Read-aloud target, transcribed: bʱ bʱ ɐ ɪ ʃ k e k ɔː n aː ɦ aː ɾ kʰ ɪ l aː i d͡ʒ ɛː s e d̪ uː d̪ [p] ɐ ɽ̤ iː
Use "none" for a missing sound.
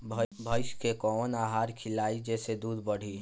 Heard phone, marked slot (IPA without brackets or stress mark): b